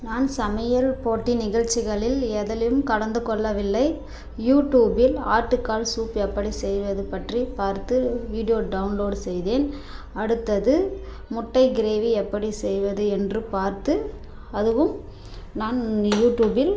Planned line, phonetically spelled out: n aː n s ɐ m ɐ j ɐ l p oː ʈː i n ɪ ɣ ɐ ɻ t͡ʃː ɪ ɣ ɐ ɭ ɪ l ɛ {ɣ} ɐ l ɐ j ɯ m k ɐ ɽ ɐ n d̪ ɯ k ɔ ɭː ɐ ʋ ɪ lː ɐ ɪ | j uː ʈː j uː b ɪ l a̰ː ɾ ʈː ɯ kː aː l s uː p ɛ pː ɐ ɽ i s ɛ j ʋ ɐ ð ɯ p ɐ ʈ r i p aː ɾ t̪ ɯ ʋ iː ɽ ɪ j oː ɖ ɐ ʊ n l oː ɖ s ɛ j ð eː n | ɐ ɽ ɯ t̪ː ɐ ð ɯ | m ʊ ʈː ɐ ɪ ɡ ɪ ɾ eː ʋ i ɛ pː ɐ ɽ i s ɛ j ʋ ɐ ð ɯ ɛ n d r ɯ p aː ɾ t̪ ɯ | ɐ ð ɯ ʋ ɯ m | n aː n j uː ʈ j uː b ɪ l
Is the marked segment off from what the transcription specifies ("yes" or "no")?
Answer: yes